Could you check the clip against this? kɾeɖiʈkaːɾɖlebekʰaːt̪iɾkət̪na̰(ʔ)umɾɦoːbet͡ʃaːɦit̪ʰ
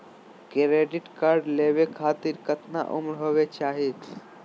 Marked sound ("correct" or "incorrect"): correct